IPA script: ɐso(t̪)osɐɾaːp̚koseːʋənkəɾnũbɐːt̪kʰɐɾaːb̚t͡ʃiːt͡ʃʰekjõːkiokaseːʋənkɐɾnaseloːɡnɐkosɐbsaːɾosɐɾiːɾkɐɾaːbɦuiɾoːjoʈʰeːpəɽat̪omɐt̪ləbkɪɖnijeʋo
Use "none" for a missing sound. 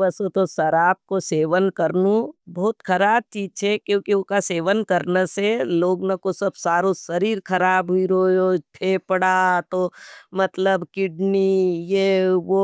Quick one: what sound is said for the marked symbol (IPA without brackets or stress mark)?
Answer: t̪